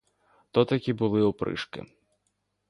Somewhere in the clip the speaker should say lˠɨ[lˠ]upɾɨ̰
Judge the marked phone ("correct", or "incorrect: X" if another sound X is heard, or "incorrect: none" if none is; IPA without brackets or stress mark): incorrect: none